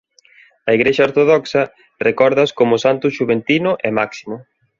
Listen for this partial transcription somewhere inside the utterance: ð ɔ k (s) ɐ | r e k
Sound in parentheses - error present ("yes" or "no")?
no